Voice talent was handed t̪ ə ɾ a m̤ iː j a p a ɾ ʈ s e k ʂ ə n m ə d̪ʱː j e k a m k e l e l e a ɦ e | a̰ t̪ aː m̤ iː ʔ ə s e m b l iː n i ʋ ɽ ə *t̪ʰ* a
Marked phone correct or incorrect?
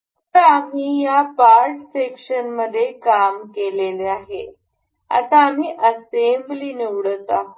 incorrect